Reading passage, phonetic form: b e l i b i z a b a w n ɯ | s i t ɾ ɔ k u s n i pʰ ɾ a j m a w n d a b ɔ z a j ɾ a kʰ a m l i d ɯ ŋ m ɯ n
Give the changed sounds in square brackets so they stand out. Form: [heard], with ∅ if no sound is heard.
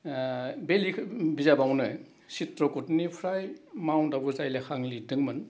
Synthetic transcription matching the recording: b e l i b i z a b a w n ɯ | s i t ɾ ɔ k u [t] n i pʰ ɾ a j m a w n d a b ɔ z a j [l] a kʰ a [ŋ] l i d ɯ ŋ m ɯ n